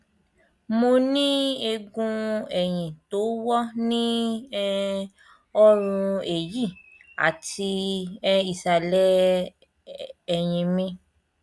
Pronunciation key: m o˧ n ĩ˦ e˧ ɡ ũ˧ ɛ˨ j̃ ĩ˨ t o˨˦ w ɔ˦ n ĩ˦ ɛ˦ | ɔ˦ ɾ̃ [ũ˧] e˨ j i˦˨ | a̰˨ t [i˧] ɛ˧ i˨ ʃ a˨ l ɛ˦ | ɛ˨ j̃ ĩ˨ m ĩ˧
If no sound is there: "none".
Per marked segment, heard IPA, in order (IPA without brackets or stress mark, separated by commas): ũ˧, i˧